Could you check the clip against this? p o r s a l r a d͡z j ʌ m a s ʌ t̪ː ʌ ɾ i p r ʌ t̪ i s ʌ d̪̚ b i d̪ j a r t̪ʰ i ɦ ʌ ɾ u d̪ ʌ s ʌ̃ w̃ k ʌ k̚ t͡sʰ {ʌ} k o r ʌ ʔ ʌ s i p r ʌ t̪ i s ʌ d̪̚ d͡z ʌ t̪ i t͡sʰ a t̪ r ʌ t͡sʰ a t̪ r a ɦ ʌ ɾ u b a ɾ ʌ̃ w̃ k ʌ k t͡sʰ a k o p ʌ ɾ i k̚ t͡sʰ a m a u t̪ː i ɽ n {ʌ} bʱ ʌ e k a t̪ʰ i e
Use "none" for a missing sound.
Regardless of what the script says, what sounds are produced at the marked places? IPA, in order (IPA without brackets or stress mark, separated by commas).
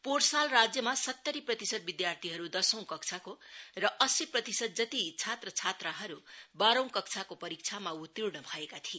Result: a, ʌ